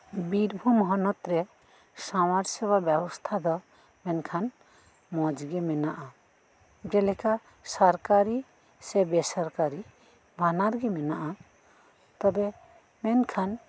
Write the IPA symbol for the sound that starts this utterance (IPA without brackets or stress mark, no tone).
b